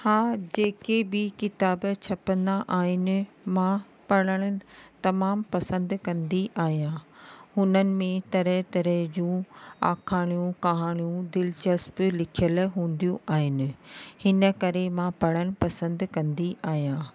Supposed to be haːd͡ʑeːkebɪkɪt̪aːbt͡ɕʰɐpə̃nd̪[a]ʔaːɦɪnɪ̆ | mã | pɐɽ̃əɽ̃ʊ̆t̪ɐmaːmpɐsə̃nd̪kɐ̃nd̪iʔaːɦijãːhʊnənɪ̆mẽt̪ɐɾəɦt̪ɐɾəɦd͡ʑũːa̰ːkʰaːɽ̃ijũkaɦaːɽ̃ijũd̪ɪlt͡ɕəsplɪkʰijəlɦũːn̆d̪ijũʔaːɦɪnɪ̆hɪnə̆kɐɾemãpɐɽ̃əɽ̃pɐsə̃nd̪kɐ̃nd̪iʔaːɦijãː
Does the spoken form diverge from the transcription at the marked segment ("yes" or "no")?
no